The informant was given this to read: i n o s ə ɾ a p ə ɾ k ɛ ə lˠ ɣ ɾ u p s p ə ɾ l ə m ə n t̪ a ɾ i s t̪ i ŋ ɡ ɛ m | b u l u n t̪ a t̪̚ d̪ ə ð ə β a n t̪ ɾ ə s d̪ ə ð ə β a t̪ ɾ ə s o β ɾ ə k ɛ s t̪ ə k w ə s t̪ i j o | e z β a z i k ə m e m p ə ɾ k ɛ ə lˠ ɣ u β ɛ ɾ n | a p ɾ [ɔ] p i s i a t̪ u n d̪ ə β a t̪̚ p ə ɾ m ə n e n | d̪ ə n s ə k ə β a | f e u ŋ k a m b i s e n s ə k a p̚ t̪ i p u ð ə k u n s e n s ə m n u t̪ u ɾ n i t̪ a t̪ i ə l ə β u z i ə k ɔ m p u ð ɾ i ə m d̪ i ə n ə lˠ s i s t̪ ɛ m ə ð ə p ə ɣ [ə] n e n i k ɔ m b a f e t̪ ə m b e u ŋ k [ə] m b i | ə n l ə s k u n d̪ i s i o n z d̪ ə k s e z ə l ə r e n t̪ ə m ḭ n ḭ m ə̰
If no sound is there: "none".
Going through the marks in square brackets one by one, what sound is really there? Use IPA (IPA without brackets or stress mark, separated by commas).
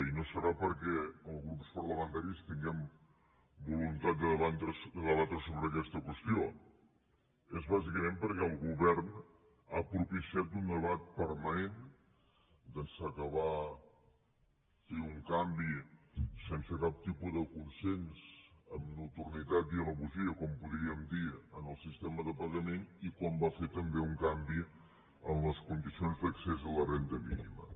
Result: u, ə, a